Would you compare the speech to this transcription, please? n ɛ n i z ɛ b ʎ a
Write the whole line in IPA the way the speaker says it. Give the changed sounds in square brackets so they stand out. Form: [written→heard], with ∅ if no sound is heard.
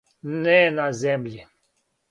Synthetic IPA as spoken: n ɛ n [i→a] z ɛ [b→m] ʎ [a→i]